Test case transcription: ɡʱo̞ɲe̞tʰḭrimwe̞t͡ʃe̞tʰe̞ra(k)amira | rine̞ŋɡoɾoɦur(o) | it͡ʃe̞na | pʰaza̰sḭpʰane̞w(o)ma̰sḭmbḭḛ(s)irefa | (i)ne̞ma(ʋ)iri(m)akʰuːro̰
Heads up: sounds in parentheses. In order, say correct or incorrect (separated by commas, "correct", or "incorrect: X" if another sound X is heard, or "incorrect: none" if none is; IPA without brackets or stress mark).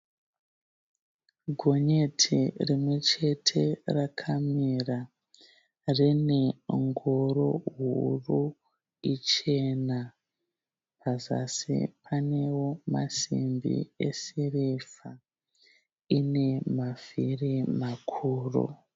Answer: incorrect: kʰ, incorrect: u, correct, correct, correct, incorrect: v, correct